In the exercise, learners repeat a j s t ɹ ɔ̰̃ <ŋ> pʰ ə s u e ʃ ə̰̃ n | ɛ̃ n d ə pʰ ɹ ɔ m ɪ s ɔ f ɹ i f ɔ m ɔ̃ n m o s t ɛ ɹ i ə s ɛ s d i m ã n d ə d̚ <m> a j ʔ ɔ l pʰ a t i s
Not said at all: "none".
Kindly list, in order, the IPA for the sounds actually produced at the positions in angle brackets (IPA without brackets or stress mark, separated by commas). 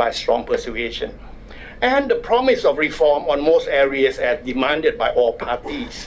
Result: ŋ, b